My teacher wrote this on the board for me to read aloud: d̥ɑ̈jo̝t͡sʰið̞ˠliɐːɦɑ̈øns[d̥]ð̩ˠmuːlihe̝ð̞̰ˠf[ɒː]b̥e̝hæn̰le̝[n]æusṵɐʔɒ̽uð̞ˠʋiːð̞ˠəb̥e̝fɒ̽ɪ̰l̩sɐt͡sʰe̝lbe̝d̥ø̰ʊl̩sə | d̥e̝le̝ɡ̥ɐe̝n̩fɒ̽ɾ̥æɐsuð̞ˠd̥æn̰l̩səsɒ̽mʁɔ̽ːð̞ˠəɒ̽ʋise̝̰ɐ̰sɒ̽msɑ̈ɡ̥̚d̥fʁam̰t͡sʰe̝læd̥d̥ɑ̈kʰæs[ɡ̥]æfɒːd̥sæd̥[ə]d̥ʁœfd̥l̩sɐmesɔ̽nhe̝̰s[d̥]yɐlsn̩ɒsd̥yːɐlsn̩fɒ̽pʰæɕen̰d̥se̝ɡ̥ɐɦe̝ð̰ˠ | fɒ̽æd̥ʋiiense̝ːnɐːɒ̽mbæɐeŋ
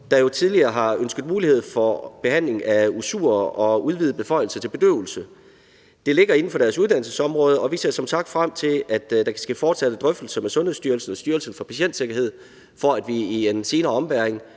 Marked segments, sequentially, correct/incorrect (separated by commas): incorrect, incorrect, incorrect, correct, correct, correct